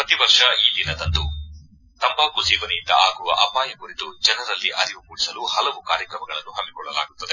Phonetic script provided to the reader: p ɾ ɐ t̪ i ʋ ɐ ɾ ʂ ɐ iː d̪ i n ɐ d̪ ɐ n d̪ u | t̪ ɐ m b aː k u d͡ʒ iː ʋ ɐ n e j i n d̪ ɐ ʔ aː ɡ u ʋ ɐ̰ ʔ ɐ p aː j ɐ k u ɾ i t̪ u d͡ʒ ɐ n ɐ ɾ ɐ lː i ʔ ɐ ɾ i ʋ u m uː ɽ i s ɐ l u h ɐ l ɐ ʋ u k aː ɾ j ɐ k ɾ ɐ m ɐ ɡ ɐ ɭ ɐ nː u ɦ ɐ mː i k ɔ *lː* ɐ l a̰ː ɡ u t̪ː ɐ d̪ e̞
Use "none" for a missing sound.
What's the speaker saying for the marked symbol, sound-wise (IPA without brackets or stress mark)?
ɭː